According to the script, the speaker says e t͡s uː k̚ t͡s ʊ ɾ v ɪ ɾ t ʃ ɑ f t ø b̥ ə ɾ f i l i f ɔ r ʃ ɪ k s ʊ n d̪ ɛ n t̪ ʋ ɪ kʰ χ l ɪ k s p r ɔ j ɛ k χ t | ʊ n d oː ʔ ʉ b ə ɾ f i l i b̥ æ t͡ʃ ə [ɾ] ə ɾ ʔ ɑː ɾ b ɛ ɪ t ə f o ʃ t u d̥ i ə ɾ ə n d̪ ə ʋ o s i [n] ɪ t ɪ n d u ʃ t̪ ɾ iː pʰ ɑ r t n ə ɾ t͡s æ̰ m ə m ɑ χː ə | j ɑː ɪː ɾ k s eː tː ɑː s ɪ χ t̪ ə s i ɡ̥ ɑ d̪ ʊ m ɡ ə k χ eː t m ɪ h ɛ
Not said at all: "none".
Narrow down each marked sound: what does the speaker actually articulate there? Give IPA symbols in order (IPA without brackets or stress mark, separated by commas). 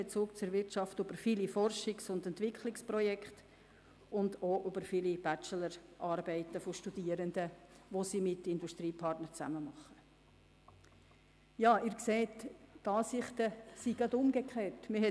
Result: l, m